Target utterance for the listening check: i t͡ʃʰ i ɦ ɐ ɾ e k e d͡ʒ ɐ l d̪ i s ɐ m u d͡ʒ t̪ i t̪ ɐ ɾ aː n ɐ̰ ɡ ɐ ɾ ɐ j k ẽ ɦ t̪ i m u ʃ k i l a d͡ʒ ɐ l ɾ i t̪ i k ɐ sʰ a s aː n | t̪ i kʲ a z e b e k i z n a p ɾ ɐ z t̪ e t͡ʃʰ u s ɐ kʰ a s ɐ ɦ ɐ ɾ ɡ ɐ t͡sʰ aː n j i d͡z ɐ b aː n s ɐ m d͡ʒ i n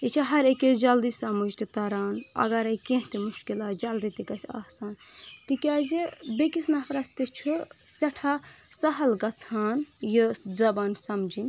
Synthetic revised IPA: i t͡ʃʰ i ɦ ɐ ɾ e k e d͡ʒ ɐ l d̪ i s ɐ m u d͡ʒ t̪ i t̪ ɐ ɾ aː n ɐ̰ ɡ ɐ ɾ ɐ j k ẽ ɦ t̪ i m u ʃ k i l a d͡ʒ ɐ l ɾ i t̪ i k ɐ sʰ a s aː n | t̪ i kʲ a z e b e k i s n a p ɾ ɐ s t̪ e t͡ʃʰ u s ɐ ʈʰ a s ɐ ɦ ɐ l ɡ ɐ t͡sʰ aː n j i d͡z ɐ b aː n s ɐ m d͡ʒ i n